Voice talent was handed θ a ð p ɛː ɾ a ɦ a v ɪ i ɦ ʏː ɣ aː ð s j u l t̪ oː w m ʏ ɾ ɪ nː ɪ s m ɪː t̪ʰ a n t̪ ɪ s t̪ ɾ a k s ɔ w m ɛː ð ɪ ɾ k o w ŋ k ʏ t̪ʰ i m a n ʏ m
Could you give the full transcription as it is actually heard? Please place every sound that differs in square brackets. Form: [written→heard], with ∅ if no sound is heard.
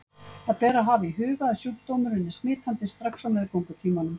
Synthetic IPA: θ a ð p ɛː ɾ a ɦ a v ɪ i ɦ ʏː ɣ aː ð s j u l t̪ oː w m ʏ ɾ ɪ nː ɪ s m ɪː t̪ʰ a n t̪ ɪ s t̪ ɾ a k s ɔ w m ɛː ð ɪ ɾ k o w ŋ k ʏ t̪ʰ [i→iː] m a n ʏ m